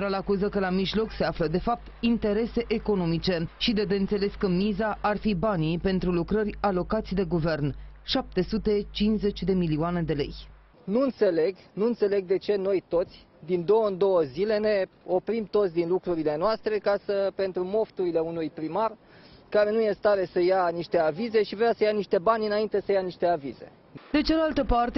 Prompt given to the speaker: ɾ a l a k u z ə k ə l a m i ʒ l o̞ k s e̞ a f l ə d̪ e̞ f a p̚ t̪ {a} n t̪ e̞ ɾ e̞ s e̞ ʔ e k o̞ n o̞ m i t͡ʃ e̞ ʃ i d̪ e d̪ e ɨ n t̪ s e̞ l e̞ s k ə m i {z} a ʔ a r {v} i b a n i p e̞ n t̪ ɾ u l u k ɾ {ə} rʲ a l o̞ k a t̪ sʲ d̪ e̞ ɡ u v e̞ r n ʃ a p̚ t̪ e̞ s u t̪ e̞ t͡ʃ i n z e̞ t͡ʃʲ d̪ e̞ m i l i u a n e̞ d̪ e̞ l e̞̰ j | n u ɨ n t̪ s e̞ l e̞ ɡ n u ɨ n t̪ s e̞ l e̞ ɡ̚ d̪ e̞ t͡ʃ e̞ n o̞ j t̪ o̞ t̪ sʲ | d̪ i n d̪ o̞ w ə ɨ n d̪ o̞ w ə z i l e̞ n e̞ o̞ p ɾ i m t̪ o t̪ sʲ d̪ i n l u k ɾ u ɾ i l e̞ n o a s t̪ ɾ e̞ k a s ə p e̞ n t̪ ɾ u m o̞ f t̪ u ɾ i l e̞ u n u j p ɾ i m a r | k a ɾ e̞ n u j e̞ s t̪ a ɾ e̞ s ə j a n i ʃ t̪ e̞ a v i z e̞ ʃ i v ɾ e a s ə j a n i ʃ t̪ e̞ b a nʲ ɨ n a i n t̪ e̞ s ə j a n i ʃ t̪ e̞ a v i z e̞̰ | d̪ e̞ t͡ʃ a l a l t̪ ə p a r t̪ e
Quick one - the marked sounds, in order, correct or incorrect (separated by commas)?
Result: incorrect, correct, incorrect, correct